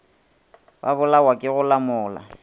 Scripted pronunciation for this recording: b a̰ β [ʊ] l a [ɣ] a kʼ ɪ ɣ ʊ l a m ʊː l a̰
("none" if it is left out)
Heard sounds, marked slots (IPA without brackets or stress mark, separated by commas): ʊ, w